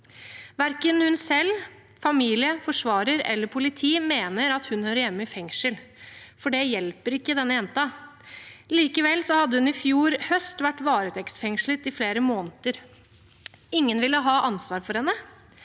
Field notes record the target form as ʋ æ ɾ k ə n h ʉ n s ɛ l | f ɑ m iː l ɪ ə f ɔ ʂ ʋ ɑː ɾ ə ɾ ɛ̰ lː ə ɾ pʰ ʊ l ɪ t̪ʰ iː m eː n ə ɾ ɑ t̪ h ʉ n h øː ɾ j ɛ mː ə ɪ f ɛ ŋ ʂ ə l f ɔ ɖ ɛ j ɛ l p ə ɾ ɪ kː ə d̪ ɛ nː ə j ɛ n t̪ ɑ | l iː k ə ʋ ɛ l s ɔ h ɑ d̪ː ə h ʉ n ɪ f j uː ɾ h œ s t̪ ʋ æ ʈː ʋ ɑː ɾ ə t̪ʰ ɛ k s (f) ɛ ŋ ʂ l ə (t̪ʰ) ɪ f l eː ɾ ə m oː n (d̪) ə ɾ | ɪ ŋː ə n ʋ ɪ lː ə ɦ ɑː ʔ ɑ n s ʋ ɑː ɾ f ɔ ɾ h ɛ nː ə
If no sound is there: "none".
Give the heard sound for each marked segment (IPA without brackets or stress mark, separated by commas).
f, t̪, t̪